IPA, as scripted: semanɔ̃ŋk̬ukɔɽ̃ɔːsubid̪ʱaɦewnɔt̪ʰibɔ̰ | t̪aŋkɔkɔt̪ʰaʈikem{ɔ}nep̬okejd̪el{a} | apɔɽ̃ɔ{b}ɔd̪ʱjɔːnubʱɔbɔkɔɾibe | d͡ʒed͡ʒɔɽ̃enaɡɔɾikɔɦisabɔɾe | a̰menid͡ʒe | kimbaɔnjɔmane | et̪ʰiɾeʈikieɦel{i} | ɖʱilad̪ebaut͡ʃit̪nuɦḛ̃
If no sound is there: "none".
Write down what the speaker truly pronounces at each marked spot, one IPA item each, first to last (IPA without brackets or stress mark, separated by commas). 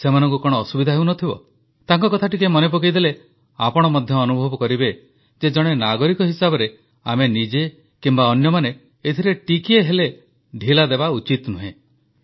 ɔ, e, m, e